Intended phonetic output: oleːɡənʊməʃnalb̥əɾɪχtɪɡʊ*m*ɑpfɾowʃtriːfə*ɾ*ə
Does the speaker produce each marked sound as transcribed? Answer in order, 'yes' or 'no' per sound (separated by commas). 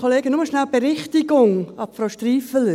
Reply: no, no